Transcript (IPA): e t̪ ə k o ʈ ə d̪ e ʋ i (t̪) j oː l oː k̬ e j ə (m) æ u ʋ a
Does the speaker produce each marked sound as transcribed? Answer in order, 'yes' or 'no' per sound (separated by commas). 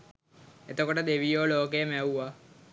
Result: no, yes